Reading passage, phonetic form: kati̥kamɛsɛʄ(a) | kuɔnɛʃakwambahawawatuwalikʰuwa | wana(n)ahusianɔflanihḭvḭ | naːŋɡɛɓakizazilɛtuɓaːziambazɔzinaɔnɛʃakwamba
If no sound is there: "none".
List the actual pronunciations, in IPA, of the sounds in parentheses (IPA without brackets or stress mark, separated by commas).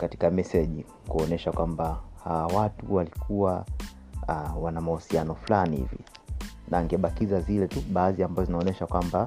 i, m